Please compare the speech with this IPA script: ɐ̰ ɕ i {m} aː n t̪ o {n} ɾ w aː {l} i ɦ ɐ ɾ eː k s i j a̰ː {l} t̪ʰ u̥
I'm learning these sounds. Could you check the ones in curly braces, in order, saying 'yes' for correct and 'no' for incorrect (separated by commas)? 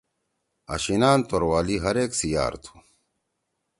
no, no, yes, no